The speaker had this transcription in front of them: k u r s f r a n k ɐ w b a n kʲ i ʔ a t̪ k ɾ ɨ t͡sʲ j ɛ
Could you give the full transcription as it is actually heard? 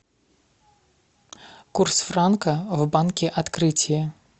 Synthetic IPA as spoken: k u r s f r a n k ɐ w b a n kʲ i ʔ a t̪ k ɾ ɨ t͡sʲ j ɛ